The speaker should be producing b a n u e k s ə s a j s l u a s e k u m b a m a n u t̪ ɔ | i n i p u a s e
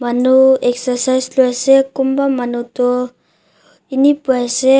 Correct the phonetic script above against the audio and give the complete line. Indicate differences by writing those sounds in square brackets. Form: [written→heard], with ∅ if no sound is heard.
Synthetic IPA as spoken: [b→m] a n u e k s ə s a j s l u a s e k u m b a m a n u t̪ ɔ | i n i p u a s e